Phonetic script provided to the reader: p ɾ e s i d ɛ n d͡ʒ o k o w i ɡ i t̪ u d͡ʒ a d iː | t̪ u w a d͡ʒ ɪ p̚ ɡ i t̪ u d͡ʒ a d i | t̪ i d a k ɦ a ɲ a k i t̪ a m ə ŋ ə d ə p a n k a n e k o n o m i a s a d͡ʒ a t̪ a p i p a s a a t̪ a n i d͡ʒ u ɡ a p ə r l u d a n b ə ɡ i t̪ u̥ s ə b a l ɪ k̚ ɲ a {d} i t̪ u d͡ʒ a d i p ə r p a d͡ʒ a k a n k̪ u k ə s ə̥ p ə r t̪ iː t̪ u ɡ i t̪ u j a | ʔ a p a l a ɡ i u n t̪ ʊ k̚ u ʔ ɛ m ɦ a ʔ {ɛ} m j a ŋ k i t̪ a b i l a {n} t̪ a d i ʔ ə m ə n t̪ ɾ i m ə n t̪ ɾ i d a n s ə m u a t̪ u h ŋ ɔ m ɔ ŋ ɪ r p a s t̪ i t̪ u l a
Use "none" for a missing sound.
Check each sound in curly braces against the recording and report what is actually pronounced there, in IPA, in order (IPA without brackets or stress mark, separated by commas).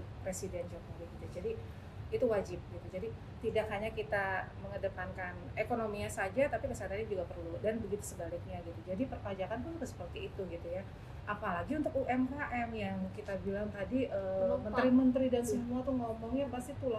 ɡ, ɛ, ŋ